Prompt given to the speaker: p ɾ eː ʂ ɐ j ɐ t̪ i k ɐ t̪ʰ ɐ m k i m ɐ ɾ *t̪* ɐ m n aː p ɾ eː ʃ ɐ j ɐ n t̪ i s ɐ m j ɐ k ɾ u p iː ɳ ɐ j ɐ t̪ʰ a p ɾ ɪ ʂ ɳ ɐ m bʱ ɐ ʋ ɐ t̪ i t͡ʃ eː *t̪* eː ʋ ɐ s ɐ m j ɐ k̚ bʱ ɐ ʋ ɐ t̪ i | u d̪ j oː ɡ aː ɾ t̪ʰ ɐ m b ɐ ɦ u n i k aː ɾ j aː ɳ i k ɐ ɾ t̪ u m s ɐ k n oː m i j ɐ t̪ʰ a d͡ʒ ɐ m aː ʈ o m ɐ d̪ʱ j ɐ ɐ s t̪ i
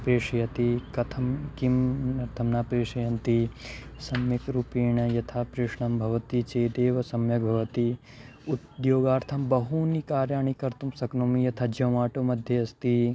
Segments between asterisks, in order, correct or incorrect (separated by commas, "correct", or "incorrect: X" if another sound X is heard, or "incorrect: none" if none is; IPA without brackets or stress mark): incorrect: t̪ʰ, incorrect: d̪